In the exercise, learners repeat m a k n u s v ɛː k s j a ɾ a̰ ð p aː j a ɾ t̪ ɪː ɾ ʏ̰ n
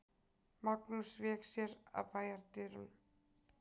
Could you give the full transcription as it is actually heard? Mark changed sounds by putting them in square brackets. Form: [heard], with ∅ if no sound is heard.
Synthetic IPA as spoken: m a k n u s v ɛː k s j [ɛ] ɾ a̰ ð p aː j a ɾ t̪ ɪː ɾ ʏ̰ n